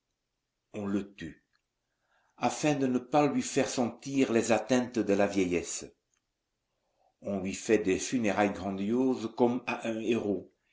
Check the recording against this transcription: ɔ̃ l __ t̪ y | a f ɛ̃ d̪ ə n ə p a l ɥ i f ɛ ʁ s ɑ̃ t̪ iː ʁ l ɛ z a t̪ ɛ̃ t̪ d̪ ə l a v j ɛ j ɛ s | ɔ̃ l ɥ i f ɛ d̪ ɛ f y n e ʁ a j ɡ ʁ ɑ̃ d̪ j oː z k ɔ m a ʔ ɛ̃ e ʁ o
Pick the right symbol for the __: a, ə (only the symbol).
ə